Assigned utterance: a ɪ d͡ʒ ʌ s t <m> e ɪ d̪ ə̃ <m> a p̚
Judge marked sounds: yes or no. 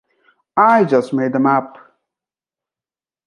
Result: yes, yes

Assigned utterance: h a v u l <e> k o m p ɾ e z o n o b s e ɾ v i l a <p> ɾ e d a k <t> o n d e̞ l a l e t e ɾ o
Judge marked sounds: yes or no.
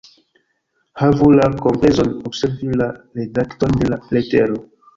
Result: no, no, yes

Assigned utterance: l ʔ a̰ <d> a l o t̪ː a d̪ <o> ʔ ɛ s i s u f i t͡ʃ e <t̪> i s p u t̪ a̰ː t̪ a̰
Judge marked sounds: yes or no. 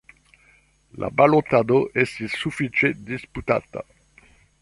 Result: no, yes, no

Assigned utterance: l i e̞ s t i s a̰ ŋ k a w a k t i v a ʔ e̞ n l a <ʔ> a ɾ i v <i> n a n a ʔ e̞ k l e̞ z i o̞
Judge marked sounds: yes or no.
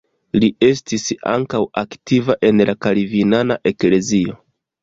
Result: no, yes

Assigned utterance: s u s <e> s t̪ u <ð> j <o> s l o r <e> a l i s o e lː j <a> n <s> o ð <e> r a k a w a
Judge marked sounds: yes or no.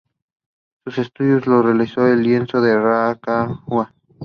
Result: yes, yes, yes, yes, no, yes, yes

